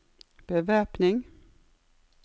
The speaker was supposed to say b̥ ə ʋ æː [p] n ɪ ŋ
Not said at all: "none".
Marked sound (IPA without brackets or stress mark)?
p